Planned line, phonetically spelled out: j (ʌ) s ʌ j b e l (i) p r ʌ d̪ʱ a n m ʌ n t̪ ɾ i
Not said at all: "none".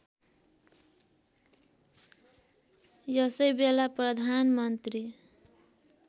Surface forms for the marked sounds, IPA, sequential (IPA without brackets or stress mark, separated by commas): ʌ, a